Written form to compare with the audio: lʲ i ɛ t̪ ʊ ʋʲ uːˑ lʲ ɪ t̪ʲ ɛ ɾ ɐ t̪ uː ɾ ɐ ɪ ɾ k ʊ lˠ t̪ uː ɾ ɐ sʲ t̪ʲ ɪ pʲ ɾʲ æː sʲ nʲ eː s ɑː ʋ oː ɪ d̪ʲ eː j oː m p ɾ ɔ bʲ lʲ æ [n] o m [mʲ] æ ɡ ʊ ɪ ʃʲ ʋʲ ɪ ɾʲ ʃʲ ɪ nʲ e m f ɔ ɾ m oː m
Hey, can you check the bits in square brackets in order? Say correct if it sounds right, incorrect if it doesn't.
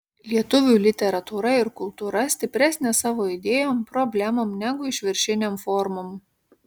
incorrect, incorrect

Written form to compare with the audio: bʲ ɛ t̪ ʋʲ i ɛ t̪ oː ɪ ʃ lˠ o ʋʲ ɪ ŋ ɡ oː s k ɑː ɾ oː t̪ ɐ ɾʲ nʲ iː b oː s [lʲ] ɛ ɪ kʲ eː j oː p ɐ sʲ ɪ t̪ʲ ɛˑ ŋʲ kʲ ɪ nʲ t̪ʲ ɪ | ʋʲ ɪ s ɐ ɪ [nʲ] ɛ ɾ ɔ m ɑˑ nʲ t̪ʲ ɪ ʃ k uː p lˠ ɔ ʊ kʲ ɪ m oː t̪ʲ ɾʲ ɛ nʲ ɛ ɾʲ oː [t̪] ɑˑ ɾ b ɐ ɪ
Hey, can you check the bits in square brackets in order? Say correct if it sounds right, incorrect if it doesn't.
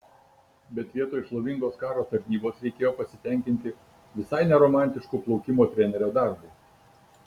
incorrect, correct, incorrect

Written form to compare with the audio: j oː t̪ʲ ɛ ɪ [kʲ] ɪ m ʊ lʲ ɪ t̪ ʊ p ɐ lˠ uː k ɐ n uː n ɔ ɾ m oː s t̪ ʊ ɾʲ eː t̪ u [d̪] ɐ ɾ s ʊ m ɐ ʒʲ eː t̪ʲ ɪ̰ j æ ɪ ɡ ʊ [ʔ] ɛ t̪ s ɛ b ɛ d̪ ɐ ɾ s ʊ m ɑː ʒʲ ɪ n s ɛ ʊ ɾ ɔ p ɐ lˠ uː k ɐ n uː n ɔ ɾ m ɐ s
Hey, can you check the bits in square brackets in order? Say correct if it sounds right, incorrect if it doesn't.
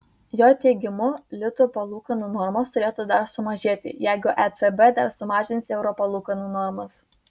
incorrect, correct, correct

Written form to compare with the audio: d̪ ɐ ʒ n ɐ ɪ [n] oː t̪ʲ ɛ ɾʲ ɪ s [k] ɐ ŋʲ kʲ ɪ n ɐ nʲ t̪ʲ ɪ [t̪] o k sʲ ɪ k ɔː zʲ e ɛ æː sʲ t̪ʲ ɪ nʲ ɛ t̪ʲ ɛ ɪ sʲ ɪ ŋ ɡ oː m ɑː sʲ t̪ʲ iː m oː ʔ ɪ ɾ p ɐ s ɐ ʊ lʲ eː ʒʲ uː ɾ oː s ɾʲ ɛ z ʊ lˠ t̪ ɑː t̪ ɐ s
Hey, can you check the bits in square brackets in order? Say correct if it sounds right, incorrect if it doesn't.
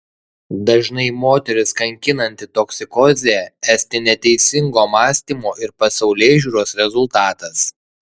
incorrect, correct, correct

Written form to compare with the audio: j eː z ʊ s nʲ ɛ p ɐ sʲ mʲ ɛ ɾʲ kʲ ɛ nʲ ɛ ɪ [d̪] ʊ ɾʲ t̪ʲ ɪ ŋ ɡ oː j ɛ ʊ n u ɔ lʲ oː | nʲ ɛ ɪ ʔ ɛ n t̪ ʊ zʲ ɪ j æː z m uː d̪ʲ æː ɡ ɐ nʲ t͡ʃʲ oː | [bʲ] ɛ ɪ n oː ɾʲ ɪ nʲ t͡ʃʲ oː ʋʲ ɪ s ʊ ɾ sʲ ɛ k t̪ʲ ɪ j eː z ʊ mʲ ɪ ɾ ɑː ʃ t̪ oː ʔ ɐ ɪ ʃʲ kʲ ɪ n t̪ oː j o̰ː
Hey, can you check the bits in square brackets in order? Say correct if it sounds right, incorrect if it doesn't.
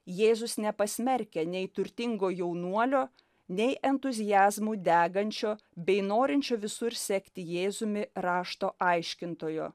incorrect, correct

